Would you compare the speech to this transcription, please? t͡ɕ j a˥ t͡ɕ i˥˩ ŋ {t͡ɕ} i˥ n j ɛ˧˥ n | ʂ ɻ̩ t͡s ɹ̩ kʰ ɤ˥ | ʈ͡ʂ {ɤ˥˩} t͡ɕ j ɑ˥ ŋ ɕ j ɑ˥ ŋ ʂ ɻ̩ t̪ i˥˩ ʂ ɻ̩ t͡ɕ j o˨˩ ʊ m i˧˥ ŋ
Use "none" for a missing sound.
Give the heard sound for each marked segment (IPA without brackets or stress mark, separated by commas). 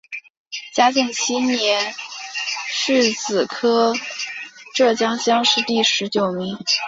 t͡ɕʰ, ɤ˥˩